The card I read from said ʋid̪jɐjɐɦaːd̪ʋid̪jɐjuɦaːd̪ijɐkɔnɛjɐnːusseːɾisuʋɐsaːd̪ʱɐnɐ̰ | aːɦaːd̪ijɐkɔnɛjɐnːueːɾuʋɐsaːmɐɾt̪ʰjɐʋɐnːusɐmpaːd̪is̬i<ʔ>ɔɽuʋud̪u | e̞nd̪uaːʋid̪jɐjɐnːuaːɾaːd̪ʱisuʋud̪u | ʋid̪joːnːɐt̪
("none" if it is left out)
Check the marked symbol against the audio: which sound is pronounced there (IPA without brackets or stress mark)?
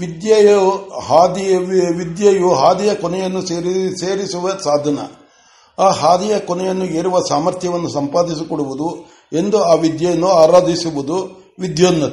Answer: k